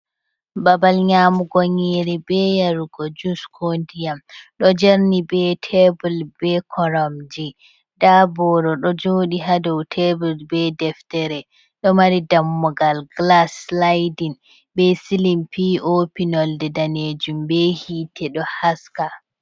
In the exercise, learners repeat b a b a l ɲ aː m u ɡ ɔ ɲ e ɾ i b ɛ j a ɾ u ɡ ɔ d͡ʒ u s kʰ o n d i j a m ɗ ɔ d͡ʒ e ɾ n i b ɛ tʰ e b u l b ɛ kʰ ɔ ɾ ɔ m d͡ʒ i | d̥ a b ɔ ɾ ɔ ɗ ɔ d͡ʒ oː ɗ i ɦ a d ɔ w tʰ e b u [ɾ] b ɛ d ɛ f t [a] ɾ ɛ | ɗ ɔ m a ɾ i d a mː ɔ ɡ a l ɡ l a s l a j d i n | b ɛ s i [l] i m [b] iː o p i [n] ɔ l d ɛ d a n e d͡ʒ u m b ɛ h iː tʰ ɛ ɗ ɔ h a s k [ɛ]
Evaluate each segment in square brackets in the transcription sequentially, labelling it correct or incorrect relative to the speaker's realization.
incorrect, incorrect, correct, incorrect, correct, incorrect

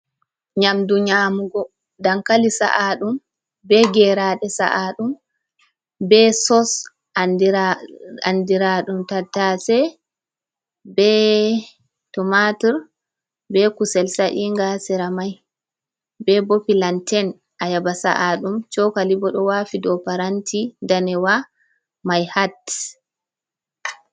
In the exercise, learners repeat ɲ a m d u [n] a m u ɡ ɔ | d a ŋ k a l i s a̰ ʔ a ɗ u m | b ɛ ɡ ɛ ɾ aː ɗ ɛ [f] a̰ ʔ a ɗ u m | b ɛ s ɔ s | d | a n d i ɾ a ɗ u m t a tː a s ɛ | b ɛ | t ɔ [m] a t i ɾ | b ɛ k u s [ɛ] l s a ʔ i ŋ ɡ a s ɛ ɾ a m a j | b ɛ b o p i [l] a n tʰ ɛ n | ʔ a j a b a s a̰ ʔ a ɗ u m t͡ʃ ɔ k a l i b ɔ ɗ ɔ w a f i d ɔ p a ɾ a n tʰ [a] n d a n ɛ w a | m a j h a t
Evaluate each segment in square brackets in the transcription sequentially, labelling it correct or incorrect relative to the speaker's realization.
incorrect, incorrect, correct, correct, correct, incorrect

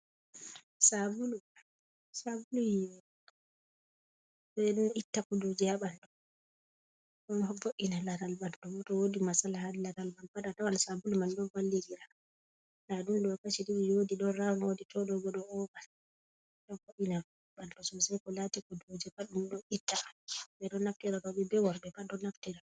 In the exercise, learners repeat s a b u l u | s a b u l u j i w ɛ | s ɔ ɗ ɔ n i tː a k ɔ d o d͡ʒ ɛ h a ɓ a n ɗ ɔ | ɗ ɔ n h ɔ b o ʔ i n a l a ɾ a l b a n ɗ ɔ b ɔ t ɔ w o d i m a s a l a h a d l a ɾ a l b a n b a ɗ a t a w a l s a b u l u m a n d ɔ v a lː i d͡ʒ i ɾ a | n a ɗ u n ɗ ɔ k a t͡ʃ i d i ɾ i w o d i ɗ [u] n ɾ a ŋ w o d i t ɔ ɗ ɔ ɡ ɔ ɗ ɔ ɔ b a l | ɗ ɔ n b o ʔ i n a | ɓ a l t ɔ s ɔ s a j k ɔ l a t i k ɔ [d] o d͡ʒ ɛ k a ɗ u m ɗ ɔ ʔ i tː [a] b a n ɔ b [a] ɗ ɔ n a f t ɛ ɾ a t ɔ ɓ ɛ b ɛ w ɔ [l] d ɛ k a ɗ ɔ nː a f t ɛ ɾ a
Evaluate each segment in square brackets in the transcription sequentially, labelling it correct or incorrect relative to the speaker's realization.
incorrect, correct, correct, incorrect, incorrect

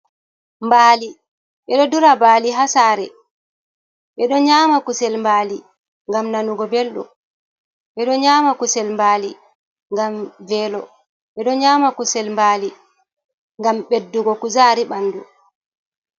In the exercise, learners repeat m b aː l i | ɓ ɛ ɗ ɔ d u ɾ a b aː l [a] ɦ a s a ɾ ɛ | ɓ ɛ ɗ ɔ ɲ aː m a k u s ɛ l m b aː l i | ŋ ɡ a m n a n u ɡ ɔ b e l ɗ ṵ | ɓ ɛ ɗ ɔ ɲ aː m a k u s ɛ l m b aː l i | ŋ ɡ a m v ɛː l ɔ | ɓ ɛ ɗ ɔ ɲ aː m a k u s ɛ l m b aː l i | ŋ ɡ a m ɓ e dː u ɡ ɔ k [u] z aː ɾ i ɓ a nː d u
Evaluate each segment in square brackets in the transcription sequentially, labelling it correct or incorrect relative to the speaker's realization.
incorrect, correct

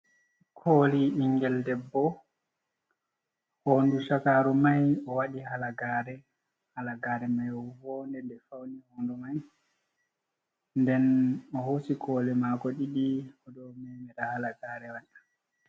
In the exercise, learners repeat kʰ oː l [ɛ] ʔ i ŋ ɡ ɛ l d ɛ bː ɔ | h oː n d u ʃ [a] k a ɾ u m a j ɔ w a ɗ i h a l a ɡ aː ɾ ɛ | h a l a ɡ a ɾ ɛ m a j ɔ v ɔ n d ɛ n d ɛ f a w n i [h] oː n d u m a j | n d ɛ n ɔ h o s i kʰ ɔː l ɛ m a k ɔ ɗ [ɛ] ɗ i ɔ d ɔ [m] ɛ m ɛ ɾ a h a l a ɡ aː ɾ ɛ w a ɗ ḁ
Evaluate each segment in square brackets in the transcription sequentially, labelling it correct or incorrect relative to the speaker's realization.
incorrect, correct, correct, incorrect, correct

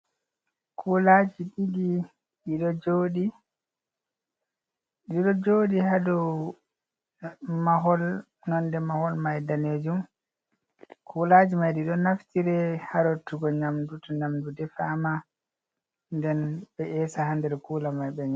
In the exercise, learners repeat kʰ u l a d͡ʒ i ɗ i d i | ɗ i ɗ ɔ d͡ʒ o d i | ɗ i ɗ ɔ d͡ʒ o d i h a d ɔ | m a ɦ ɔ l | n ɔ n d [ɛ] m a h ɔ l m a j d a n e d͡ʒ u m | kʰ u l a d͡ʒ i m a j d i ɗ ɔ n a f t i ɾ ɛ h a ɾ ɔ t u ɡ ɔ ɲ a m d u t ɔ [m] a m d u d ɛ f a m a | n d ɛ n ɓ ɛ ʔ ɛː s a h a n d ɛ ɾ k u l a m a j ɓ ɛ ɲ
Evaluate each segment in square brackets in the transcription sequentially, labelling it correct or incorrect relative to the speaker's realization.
correct, incorrect

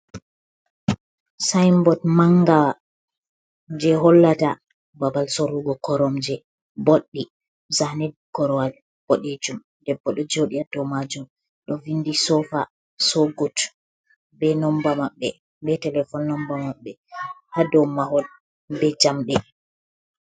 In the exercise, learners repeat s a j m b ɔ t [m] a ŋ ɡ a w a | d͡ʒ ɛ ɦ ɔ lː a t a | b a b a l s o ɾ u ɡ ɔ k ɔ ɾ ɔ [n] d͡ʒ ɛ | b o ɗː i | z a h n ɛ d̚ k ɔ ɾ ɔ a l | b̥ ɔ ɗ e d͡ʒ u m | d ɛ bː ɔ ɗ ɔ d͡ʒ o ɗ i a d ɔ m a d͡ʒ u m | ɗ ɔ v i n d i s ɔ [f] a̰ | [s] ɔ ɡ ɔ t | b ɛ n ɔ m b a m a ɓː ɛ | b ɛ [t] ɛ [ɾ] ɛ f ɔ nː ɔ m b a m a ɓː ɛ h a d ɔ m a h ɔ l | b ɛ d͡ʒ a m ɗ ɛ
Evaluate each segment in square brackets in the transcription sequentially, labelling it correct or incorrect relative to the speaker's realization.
correct, incorrect, correct, correct, correct, incorrect

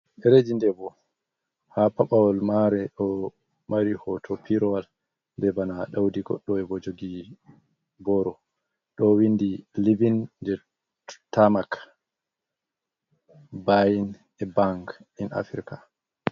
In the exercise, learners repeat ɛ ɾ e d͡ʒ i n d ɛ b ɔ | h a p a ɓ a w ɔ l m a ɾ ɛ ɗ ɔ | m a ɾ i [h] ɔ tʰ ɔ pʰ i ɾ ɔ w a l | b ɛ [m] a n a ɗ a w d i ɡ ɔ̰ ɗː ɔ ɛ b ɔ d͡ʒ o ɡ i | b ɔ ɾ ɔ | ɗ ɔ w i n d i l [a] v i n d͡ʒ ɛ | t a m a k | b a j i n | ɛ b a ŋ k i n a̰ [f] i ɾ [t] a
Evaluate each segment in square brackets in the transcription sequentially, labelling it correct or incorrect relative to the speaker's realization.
correct, incorrect, incorrect, correct, incorrect

